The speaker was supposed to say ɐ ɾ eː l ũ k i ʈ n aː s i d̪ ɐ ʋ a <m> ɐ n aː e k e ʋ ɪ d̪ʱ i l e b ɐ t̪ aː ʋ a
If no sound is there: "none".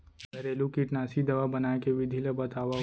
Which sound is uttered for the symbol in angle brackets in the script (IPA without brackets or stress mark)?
b